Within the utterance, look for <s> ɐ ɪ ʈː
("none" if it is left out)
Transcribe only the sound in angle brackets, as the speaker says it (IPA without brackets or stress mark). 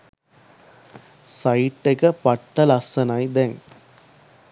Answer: s